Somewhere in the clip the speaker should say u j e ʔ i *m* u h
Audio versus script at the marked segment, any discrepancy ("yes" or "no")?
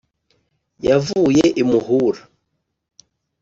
no